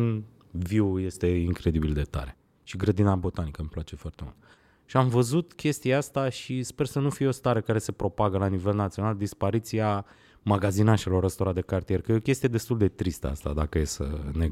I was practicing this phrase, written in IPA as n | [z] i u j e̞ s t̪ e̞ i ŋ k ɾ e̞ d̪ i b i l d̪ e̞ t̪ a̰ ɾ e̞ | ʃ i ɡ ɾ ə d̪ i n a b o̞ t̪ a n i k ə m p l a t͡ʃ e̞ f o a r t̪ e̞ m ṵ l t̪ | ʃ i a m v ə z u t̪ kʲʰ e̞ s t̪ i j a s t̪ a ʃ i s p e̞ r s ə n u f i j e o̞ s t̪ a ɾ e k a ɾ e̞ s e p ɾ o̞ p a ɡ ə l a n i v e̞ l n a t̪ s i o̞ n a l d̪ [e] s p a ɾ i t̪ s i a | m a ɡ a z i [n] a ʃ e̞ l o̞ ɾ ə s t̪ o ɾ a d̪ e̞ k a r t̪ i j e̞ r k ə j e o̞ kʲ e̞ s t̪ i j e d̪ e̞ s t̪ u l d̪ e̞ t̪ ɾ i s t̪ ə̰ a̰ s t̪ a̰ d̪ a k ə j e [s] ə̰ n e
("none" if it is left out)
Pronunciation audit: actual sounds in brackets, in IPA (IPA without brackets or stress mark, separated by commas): v, i, n, s